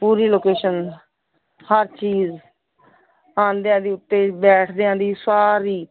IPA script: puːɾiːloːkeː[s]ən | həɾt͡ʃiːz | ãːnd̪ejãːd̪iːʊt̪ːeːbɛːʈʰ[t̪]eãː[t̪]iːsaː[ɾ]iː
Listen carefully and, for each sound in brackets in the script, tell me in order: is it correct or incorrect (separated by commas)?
incorrect, incorrect, incorrect, correct